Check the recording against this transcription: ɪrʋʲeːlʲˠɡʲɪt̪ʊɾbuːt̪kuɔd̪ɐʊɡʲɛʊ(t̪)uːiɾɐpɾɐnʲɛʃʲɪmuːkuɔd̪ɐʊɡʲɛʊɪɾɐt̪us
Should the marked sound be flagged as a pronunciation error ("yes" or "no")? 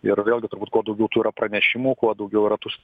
no